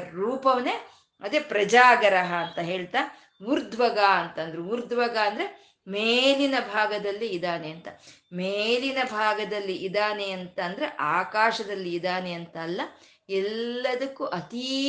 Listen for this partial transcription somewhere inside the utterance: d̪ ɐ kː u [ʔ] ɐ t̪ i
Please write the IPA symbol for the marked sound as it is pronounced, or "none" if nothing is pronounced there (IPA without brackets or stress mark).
ʔ